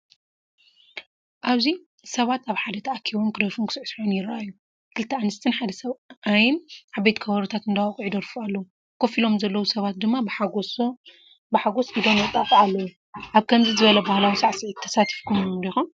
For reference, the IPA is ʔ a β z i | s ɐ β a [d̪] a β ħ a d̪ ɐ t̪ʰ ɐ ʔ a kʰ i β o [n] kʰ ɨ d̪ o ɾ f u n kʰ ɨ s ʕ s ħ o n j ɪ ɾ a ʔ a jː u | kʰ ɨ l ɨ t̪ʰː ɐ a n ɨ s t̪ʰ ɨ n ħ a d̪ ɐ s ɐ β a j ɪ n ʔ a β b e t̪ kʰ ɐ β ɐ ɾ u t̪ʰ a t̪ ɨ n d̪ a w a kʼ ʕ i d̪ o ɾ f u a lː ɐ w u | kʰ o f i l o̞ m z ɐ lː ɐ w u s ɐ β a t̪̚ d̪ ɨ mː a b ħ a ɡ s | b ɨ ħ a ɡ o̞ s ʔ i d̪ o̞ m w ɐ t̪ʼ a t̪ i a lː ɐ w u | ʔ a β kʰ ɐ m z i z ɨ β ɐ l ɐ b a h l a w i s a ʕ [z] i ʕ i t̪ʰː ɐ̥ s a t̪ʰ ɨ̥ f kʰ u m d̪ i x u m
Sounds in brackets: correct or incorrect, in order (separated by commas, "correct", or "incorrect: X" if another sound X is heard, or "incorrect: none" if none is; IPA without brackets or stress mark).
incorrect: t̪, incorrect: m, incorrect: s